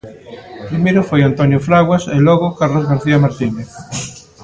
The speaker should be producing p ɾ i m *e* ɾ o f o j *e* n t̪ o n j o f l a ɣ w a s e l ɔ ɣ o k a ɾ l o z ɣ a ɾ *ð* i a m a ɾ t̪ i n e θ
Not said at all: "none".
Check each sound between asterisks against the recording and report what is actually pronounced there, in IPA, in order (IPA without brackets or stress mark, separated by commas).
e, a, θ